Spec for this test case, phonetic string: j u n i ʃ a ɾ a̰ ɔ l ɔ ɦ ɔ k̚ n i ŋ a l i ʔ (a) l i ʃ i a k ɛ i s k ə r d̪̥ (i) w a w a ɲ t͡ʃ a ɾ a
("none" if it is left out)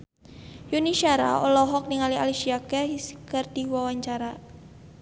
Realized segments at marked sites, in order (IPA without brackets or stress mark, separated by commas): a, i